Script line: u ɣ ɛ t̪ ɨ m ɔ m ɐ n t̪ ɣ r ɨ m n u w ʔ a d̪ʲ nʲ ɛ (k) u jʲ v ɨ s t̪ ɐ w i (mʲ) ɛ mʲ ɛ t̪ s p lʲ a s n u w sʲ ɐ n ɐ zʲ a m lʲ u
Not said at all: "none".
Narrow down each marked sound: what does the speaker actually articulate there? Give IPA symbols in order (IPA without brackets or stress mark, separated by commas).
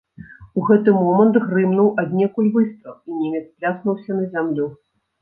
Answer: k, nʲ